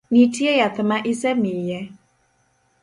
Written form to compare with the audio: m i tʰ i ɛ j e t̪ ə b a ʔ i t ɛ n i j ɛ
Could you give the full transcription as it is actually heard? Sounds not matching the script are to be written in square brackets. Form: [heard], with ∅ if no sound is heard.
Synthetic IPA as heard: [n] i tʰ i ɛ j [a] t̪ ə [m] a ʔ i [s] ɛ [m] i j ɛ